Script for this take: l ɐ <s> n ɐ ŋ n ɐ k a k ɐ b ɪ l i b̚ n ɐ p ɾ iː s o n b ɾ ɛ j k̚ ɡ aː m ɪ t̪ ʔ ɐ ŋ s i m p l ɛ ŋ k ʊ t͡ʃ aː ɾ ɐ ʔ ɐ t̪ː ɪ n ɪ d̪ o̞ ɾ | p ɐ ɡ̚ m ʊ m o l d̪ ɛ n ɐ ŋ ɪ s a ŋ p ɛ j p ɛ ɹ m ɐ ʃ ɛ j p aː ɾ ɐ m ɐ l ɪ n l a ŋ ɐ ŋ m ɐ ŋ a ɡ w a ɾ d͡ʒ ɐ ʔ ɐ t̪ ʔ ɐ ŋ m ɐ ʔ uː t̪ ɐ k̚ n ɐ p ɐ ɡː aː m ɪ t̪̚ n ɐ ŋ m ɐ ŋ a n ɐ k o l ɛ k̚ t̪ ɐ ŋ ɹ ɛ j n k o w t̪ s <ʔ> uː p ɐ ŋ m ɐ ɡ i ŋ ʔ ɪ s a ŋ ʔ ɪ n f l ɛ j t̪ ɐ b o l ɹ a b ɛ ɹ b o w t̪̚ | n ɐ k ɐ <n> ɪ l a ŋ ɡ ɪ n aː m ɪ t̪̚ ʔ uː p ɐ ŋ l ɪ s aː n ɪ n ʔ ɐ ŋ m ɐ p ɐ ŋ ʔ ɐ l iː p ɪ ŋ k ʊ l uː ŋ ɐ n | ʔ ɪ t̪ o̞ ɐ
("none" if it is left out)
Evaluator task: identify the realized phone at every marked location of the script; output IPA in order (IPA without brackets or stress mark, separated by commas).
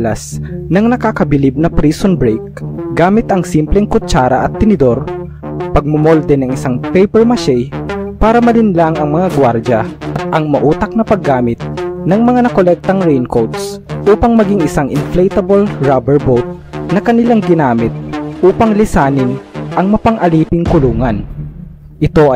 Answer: s, ʔ, n